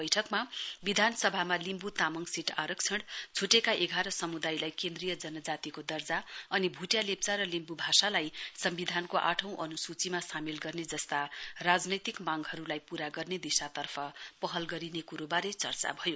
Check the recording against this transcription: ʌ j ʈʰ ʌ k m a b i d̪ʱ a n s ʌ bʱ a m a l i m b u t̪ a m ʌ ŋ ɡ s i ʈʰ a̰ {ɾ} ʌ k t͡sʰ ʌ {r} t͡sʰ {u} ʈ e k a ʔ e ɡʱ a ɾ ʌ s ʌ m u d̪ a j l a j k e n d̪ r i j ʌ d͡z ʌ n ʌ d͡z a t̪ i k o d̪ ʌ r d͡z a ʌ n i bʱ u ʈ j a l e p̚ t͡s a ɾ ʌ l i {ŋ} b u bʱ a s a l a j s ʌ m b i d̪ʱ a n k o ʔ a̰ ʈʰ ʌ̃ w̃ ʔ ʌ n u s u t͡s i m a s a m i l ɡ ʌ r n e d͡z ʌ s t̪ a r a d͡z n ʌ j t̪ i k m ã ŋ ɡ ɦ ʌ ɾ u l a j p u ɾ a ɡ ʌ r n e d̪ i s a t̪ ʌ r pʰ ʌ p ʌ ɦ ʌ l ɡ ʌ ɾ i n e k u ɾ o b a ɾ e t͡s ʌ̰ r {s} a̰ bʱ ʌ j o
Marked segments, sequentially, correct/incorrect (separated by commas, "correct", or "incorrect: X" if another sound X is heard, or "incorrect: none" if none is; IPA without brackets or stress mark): correct, incorrect: ɽ, correct, incorrect: m, incorrect: t͡s